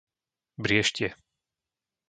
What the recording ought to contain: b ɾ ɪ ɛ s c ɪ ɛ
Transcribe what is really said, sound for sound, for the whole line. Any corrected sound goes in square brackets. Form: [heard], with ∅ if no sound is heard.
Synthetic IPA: b ɾ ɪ ɛ [ʃ] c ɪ ɛ